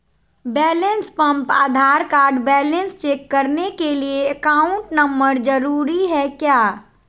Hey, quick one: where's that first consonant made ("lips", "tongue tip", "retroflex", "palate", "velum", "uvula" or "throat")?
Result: lips